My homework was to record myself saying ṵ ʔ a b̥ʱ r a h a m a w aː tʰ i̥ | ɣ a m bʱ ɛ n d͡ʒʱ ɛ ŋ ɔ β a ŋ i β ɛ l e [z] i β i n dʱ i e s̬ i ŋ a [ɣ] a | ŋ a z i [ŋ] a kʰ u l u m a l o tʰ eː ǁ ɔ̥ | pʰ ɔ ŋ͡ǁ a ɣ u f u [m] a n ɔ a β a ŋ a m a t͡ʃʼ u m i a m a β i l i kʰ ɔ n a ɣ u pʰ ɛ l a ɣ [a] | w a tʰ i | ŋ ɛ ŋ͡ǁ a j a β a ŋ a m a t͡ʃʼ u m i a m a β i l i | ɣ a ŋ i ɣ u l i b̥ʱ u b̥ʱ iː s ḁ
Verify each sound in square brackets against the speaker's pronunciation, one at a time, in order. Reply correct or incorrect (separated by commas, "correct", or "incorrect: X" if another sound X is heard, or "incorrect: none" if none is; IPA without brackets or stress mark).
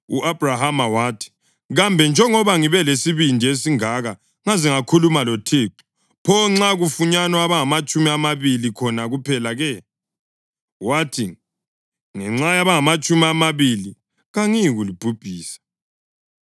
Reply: incorrect: s, correct, correct, incorrect: ɲ, incorrect: ɛ